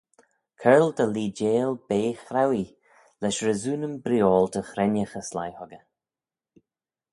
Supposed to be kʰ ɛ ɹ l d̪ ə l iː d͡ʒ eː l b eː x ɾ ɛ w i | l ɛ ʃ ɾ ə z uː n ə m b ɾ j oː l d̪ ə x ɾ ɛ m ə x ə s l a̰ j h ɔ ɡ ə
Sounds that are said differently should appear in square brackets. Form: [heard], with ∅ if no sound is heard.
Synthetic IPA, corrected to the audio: kʰ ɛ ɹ l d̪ ə l iː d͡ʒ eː l b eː x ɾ [a] w i | l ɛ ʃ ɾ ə z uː n ə m b ɾ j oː l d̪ ə x ɾ ɛ [n] ə x ə s l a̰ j h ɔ ɡ ə